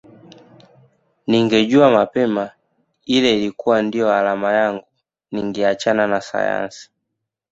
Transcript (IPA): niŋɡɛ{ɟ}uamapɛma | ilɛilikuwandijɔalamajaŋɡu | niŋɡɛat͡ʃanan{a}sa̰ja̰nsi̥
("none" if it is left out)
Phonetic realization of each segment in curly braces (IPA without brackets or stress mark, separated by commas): ɟ, a